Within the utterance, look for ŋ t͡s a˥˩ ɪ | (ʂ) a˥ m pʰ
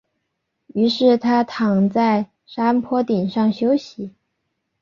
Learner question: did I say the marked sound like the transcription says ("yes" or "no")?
yes